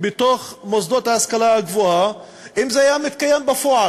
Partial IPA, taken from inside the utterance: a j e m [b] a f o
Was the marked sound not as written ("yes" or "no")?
no